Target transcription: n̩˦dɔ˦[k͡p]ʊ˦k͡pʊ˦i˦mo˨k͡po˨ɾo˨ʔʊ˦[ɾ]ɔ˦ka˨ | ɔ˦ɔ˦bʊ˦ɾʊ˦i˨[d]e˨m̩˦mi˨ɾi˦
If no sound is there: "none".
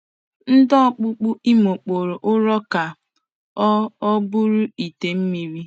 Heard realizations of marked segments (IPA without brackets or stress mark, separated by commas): k͡p, ɾ, t